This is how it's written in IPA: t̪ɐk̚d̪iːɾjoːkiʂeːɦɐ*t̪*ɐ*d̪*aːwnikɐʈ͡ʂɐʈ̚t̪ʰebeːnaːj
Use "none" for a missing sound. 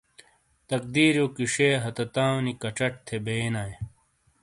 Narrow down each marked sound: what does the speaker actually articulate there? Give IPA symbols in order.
t̪, t̪

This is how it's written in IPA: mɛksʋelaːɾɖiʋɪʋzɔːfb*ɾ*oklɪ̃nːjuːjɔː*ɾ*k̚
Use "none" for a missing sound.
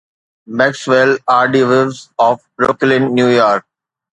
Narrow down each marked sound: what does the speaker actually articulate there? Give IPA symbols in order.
ɾ, ɾ

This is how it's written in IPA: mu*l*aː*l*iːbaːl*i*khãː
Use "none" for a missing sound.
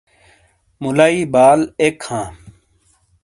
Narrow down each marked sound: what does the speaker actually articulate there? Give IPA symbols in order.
l, none, e

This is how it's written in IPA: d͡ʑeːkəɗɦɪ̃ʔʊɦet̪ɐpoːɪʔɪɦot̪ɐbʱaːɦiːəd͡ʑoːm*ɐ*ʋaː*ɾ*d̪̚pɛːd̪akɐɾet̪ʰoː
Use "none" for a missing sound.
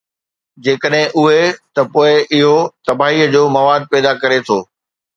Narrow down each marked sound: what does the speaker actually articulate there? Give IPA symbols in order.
ɐ, none

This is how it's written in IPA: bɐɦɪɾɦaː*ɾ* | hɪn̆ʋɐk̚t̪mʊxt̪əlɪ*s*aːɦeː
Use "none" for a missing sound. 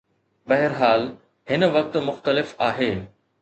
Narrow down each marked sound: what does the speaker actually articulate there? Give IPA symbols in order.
l, f

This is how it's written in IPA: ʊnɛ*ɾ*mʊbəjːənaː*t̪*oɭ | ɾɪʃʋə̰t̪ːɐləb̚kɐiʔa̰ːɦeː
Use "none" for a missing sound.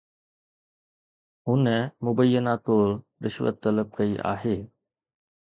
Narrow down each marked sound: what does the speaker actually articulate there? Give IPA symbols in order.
none, t̪

